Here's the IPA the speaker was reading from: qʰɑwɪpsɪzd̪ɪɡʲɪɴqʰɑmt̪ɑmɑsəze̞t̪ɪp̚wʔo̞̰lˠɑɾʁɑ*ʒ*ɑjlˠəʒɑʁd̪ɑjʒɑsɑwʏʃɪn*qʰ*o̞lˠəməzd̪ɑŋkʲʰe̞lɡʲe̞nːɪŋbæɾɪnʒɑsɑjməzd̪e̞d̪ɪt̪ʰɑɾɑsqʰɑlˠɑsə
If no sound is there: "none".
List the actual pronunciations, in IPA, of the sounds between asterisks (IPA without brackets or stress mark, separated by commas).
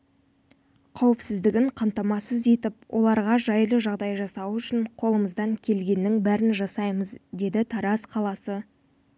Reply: ʒ, qʰ